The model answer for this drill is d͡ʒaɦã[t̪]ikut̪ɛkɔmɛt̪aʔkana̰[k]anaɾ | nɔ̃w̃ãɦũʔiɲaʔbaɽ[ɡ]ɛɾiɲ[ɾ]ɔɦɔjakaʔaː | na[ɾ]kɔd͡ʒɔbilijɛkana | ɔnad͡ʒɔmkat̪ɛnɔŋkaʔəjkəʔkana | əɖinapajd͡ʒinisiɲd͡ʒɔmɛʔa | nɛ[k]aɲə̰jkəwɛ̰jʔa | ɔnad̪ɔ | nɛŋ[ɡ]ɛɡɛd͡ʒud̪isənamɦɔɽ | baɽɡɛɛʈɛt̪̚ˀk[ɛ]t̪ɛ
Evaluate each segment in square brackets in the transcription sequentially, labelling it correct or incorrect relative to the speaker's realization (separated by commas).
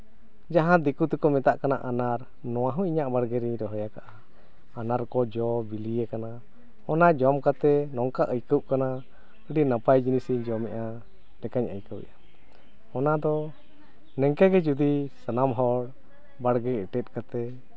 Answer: incorrect, incorrect, correct, correct, correct, correct, incorrect, incorrect